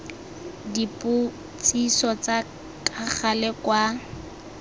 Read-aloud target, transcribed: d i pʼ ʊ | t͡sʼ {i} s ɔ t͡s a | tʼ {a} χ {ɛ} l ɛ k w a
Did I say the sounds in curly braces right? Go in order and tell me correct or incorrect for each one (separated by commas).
correct, correct, incorrect